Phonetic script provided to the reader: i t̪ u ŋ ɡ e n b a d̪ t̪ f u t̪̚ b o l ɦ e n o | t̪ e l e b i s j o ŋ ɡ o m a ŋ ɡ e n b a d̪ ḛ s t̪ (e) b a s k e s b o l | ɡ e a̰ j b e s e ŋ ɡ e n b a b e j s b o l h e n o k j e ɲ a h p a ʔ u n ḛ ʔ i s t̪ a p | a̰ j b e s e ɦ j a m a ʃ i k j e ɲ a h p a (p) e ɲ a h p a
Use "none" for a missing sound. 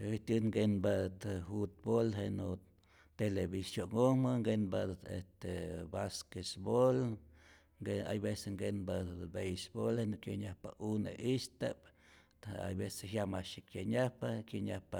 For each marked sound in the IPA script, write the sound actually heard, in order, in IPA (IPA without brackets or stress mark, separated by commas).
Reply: e, k